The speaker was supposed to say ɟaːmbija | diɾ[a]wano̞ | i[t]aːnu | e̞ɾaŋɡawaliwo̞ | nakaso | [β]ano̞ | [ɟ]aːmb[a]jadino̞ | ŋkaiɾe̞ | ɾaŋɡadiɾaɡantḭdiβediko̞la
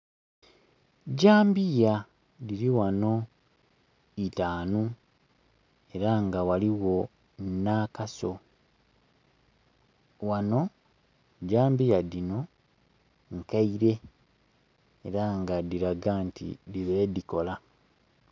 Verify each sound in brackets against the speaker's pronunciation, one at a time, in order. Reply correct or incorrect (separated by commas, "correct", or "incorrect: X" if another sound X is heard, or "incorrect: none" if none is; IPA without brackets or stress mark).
incorrect: i, correct, incorrect: w, correct, incorrect: i